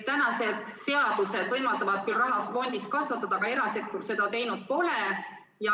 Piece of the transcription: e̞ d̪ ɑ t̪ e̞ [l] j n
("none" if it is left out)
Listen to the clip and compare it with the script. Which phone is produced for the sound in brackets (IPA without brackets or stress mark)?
none